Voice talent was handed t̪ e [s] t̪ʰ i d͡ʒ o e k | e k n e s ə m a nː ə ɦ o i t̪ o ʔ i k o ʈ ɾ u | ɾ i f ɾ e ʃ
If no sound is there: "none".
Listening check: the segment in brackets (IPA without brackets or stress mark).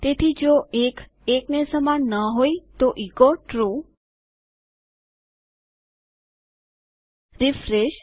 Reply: none